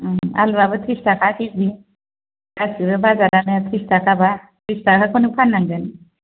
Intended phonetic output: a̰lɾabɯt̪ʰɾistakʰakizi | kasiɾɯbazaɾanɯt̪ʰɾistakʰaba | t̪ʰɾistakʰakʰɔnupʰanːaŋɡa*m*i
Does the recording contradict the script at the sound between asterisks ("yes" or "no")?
yes